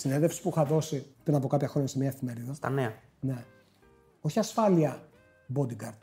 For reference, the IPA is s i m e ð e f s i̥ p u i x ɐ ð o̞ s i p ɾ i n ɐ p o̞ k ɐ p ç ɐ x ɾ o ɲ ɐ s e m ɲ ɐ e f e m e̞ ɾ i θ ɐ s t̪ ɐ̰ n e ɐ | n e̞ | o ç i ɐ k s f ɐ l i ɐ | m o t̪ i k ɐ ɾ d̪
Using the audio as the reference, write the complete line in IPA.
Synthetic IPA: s i n e ð e f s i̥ p u i x ɐ ð o̞ s i p ɾ i n ɐ p o̞ k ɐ p ç ɐ x ɾ o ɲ ɐ s e m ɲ ɐ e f i m e̞ ɾ i ð ɐ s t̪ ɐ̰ n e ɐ | n e̞ | o ç i ɐ s f ɐ l i ɐ | b o d̪ i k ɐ ɾ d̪